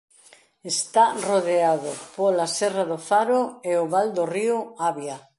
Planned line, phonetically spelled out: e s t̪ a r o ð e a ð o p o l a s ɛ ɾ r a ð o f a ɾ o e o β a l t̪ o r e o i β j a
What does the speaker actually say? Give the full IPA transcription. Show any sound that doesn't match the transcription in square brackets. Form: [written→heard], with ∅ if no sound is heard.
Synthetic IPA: e s t̪ a r o ð e a ð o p o l a s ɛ [ɾ→∅] r a ð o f a ɾ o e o β a l [t̪→d̪] o r [e→i] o [i→a] β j a